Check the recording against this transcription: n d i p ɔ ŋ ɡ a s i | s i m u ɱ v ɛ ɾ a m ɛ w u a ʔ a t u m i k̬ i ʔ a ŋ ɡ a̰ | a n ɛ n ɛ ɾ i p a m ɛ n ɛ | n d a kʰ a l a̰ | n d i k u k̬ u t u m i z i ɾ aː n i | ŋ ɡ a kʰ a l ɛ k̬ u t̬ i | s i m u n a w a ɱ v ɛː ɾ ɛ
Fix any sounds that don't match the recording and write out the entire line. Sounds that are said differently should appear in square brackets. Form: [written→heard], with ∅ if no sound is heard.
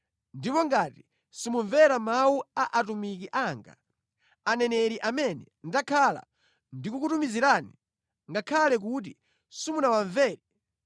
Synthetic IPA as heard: n d i p ɔ ŋ ɡ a [s→t] i | s i m u ɱ v ɛ ɾ a m [ɛ→a] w u a ʔ a t u m i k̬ i ʔ a ŋ ɡ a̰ | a n ɛ n ɛ ɾ i [p→ʔ] a m ɛ n ɛ | n d a kʰ a l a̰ | n d i k u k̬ u t u m i z i ɾ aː n i | ŋ ɡ a kʰ a l ɛ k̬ u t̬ i | s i m u n a w a ɱ v ɛː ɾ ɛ